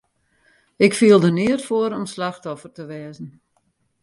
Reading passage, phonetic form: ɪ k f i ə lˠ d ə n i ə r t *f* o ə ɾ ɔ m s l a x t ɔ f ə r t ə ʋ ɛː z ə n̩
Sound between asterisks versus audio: correct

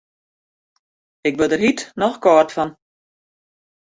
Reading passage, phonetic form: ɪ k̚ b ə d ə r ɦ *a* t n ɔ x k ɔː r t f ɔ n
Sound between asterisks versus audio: incorrect: i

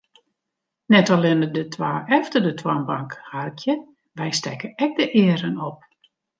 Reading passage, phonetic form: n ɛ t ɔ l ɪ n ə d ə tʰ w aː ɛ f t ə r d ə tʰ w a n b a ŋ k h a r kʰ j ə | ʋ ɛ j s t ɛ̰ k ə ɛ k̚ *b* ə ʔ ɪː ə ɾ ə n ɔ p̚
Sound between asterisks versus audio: incorrect: d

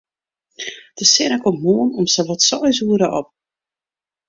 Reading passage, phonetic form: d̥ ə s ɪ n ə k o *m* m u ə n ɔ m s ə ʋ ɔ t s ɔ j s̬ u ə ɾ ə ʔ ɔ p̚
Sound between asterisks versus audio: correct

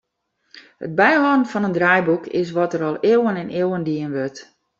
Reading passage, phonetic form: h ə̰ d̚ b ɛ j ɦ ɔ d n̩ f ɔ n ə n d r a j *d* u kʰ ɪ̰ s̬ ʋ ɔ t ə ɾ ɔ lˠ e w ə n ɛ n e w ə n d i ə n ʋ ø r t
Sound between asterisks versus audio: incorrect: b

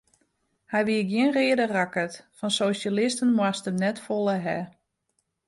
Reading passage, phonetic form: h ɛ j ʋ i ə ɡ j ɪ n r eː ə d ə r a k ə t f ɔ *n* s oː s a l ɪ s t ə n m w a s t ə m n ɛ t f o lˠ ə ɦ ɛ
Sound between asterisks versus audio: correct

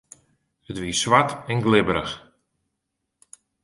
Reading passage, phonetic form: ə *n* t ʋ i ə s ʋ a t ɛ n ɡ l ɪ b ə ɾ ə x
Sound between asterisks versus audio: incorrect: none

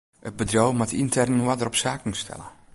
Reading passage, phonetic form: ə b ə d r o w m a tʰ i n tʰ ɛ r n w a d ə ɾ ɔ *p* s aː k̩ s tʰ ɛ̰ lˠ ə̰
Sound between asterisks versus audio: correct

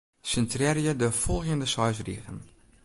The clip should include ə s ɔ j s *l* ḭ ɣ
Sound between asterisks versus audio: incorrect: r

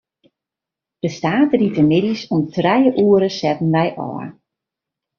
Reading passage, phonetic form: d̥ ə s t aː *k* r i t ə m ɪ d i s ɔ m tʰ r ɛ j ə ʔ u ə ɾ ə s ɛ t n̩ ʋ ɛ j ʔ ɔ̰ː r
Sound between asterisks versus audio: incorrect: t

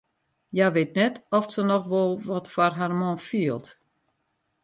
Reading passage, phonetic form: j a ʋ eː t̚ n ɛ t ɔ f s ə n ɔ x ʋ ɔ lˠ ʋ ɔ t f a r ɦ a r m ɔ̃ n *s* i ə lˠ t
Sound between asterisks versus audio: incorrect: f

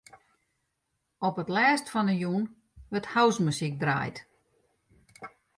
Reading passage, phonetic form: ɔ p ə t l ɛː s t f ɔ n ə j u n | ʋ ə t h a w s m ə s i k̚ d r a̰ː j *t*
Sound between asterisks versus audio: correct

